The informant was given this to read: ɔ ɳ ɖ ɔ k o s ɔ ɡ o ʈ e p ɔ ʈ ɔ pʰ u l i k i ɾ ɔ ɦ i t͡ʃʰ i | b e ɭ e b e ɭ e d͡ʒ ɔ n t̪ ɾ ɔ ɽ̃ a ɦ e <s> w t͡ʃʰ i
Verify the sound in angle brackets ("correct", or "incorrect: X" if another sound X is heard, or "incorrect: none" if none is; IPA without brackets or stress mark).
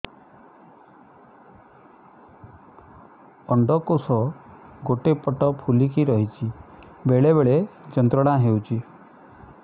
incorrect: none